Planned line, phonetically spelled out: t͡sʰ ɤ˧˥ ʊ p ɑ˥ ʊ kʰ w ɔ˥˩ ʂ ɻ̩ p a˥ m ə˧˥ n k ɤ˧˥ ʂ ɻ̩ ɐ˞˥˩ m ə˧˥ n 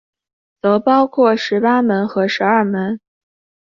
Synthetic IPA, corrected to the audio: t͡s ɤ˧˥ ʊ p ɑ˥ ʊ kʰ w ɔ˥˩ ʂ ɻ̩ p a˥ m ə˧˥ n x ɤ˧˥ ʂ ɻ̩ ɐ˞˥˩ m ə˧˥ n